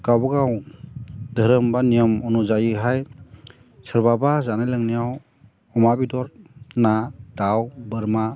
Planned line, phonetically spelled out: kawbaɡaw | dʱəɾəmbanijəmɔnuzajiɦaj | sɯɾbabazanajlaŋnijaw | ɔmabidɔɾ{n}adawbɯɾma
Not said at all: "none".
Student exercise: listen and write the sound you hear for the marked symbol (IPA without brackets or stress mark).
n